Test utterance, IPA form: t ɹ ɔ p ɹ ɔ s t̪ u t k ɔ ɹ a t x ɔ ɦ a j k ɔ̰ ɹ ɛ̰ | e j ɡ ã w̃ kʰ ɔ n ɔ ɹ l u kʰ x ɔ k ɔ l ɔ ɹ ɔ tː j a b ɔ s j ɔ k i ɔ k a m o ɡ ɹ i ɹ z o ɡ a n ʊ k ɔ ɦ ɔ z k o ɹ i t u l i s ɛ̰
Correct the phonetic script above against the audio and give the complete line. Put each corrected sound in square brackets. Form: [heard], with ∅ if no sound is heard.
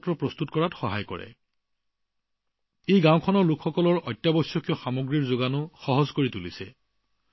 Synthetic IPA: t ɹ ɔ p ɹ ɔ s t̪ u t k ɔ ɹ a t x ɔ ɦ a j k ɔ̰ ɹ ɛ̰ | e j ɡ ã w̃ kʰ ɔ n ɔ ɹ l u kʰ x ɔ k ɔ l ɔ ɹ ɔ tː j a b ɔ s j ɔ k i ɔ [x] a m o ɡ ɹ i ɹ z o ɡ a n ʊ [x] ɔ ɦ ɔ z k o ɹ i t u l i s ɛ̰